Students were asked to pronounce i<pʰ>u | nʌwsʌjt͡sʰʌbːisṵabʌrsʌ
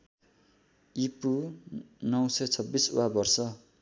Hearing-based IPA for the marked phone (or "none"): p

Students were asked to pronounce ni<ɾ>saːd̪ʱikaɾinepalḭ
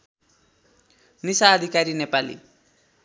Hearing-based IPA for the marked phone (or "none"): none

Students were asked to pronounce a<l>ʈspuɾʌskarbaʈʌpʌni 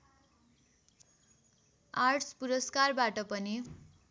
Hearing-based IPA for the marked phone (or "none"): r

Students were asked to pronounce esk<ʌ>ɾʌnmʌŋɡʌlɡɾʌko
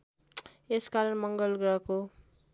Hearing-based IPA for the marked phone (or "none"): a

